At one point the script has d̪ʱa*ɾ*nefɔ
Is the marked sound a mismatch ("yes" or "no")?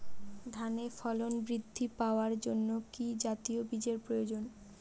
yes